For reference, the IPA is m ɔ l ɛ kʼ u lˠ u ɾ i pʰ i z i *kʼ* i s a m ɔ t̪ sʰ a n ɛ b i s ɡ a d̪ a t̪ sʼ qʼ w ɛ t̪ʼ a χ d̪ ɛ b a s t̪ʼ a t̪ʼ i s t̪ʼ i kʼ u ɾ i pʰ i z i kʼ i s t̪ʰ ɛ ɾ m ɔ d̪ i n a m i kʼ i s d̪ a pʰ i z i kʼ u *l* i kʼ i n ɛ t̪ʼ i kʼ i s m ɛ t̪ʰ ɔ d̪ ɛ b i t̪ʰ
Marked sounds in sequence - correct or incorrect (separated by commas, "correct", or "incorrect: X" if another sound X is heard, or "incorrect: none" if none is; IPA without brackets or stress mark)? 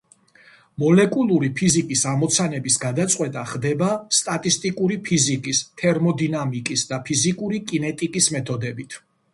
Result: correct, incorrect: ɾ